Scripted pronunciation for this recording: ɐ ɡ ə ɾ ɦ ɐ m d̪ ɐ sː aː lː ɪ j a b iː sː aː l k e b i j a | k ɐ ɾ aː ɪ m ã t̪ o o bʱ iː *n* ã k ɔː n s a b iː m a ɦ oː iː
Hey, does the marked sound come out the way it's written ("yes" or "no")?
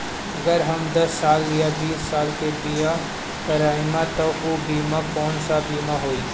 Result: no